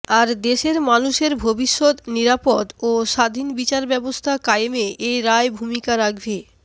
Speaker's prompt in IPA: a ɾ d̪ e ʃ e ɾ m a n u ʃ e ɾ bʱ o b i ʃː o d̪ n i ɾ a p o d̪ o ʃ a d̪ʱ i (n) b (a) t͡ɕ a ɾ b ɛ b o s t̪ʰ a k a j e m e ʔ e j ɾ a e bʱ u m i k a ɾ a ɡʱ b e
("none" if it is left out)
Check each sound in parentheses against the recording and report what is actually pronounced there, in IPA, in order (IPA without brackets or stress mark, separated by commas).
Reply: n, i